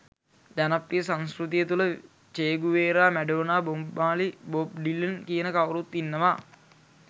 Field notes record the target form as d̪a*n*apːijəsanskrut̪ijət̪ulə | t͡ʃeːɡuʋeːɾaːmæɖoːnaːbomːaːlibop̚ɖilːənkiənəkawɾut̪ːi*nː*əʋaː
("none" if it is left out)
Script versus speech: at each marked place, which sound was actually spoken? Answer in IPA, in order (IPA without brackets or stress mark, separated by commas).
n, nː